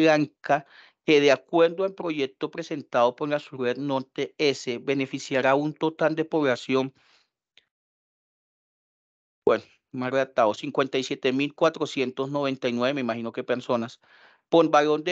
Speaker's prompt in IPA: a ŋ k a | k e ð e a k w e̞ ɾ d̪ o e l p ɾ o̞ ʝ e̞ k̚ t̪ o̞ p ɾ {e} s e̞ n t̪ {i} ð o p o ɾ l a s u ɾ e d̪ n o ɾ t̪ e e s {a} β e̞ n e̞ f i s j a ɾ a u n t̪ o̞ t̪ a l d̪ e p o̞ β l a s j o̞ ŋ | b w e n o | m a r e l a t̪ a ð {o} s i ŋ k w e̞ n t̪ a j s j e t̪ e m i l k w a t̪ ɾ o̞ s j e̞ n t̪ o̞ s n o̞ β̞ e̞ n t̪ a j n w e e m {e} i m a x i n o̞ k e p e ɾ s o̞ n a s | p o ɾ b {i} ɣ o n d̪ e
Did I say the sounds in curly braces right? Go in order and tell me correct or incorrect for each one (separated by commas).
correct, incorrect, incorrect, correct, correct, incorrect